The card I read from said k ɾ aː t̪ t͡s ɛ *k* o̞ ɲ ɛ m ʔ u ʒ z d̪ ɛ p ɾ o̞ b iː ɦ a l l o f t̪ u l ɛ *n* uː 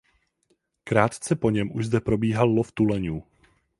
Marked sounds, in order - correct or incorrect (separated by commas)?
incorrect, incorrect